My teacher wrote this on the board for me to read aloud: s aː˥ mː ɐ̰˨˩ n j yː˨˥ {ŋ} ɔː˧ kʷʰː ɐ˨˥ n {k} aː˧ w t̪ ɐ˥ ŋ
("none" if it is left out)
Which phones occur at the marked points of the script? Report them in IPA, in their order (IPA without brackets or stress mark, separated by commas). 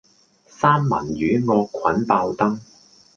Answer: ŋ, p